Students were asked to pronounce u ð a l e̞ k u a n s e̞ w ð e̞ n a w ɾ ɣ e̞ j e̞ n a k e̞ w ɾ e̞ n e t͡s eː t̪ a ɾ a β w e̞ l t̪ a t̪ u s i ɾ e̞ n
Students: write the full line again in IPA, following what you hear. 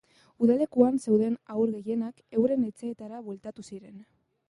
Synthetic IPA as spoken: u ð a l e̞ k u a n s e̞ w ð e̞ n a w ɾ ɣ e̞ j e̞ n a k e̞ w ɾ e̞ n e t͡s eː t̪ a ɾ a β w e̞ l t̪ a t̪ u s i ɾ e̞ n

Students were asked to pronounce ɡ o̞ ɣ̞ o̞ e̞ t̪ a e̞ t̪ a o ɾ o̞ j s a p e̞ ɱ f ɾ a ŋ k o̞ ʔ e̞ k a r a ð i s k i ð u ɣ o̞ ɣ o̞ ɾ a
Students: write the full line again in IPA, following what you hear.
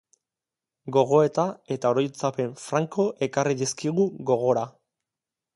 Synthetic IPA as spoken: ɡ o̞ ɣ̞ o̞ e̞ t̪ a e̞ t̪ a o ɾ o̞ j t͡s a p e̞ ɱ f ɾ a ŋ k o̞ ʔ e̞ k a r i ð i s k i ɣ u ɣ o̞ ɣ o̞ ɾ a

